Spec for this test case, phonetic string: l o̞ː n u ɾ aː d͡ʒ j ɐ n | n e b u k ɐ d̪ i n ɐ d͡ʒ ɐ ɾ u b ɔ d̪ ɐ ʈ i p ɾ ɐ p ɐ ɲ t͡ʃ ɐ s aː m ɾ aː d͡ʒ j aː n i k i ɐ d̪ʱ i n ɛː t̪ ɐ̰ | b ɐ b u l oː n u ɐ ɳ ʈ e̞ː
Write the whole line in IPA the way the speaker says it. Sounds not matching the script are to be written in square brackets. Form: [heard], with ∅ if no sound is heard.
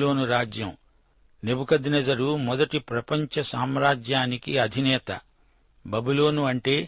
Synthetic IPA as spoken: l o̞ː n u ɾ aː d͡ʒ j ɐ [m] | n e b u k ɐ d̪ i n ɐ d͡ʒ ɐ ɾ u [m] ɔ d̪ ɐ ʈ i p ɾ ɐ p ɐ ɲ t͡ʃ ɐ s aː m ɾ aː d͡ʒ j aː n i k i ɐ d̪ʱ i n ɛː t̪ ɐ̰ | b ɐ b u l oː n u ɐ ɳ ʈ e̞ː